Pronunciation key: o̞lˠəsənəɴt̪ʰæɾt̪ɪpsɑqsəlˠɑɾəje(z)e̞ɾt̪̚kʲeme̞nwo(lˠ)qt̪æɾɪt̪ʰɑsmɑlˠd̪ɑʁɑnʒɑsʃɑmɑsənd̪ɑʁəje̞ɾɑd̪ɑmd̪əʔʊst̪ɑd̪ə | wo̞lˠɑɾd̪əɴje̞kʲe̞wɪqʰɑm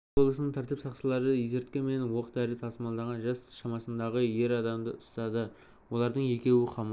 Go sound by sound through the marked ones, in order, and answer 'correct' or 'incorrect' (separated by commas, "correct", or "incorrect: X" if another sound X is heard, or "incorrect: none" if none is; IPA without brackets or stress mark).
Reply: correct, incorrect: none